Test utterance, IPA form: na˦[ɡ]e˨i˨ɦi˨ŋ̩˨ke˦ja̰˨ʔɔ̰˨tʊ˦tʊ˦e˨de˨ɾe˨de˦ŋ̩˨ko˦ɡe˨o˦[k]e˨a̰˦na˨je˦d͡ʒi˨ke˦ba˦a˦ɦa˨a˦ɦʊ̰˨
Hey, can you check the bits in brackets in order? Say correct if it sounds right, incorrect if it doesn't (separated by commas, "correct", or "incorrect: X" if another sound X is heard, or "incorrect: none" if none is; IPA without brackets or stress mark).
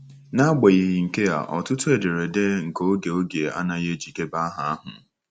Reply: incorrect: ɡ͡b, incorrect: ɡ